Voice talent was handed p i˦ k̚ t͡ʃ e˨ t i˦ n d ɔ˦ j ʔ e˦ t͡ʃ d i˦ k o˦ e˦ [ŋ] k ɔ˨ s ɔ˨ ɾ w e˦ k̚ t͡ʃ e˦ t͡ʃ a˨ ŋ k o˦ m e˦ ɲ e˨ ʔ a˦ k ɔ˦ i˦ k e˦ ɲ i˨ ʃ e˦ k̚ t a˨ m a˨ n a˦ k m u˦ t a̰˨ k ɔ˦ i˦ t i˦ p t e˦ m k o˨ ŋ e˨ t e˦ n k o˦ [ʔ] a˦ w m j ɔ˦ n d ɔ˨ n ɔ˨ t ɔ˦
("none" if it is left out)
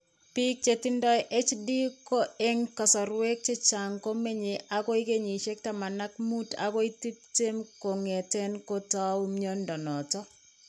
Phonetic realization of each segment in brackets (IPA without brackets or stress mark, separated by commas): ŋ, t